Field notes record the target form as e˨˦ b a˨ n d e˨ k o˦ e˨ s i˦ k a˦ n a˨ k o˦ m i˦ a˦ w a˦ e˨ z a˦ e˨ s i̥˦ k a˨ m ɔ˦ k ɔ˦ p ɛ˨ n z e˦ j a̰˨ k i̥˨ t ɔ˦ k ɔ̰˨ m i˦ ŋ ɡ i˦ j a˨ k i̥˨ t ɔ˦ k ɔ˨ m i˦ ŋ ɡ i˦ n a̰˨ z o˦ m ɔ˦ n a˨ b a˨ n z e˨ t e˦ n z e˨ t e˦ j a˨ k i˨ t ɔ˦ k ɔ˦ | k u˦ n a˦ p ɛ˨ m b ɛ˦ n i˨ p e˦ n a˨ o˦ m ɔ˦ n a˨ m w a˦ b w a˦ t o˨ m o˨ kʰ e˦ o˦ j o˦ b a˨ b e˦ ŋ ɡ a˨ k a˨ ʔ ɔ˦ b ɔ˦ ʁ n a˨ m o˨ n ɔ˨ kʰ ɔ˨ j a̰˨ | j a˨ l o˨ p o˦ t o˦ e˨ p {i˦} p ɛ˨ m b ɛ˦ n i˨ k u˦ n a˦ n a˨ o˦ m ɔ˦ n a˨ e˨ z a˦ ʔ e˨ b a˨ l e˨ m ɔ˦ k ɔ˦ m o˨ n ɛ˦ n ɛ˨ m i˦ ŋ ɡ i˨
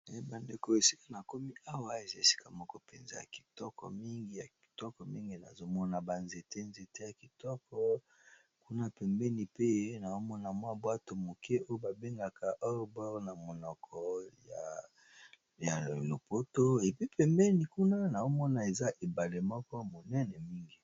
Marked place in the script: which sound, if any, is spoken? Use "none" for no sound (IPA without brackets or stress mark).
i˦